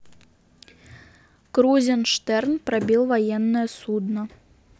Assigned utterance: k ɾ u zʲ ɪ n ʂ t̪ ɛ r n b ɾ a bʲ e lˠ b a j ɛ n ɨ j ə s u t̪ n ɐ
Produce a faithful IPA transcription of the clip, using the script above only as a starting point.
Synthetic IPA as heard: k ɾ u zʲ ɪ n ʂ t̪ ɛ r n p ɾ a bʲ i lˠ v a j ɛ nː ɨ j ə s u d̪ n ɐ